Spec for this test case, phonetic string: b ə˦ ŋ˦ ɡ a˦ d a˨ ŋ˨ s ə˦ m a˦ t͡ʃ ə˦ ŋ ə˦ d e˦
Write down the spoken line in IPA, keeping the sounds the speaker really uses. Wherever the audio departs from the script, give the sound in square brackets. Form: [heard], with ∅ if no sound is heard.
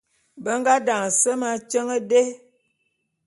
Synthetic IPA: b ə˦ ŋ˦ ɡ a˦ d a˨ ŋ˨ s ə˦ m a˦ t͡ʃ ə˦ ŋ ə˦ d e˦